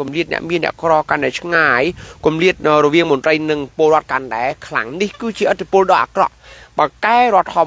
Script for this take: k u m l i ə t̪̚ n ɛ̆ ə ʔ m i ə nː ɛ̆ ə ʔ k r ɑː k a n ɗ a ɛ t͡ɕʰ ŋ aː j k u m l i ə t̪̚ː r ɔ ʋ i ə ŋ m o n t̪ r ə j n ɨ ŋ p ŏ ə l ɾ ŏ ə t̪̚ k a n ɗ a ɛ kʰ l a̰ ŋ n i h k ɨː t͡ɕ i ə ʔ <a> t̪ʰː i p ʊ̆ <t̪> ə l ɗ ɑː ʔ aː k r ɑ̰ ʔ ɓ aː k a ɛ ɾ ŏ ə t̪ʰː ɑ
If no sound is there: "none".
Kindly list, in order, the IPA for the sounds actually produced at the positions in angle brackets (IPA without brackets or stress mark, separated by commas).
ə, none